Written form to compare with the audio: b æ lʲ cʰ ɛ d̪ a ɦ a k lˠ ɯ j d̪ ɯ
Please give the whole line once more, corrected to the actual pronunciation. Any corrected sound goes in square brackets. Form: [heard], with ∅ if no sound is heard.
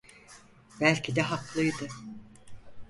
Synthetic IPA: b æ lʲ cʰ [i] d̪ [ɛ] ɦ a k lˠ ɯ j d̪ ɯ